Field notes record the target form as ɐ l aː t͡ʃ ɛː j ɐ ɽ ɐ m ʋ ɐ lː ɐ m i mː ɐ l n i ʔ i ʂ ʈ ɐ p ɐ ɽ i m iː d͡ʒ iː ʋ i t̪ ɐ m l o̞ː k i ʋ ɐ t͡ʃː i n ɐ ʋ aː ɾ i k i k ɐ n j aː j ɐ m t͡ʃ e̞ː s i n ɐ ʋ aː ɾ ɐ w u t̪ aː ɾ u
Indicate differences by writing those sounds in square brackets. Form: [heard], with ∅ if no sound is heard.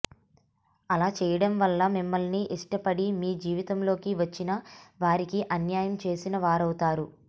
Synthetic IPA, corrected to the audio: ɐ l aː t͡ʃ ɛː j ɐ ɽ ɐ m ʋ ɐ lː ɐ m i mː ɐ l n i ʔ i ʂ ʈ ɐ p ɐ ɽ i m iː d͡ʒ iː ʋ i t̪ ɐ m l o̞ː k i ʋ ɐ t͡ʃː i n ɐ ʋ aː ɾ i k i [ʔ] ɐ n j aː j ɐ m t͡ʃ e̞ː s i n ɐ ʋ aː ɾ ɐ w u t̪ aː ɾ u